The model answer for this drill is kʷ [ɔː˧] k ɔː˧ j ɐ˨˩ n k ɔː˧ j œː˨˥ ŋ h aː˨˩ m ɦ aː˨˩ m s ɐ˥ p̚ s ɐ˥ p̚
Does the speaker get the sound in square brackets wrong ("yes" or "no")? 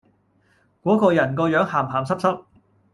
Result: yes